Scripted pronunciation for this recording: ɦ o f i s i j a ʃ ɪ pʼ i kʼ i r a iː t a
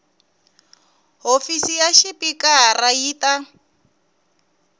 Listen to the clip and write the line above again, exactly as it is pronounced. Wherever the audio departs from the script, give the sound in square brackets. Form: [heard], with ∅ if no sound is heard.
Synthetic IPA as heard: ɦ o f i s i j a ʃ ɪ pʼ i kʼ [a] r a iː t a